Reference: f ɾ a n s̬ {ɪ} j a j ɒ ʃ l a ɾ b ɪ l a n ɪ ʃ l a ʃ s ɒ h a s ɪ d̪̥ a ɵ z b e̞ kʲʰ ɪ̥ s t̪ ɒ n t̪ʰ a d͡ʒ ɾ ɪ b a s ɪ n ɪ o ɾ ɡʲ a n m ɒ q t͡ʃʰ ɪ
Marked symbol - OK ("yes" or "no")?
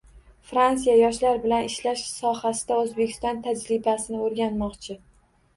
no